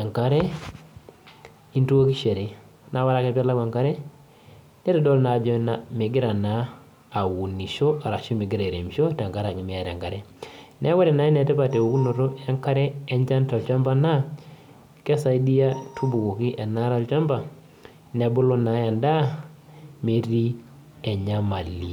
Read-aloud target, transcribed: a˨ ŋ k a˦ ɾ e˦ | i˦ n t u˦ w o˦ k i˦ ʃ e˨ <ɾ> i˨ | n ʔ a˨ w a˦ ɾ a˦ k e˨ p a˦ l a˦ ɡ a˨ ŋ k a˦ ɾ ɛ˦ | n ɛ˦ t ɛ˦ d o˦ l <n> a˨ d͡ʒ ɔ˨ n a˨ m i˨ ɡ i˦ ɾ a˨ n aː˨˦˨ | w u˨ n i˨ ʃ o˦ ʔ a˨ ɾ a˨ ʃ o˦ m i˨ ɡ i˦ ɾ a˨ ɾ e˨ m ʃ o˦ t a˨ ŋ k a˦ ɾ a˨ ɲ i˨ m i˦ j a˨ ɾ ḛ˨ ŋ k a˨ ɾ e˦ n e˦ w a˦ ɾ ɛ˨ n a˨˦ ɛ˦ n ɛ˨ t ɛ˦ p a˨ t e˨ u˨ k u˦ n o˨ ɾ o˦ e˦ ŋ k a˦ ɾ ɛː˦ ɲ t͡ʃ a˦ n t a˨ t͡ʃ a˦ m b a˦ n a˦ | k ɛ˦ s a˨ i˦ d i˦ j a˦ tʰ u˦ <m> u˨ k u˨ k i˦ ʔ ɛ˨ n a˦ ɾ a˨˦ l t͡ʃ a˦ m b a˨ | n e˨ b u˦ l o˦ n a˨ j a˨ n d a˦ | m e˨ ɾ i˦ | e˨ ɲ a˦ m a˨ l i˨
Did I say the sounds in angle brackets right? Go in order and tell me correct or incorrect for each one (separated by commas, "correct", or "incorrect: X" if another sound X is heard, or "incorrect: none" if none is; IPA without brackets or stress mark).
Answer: correct, correct, incorrect: b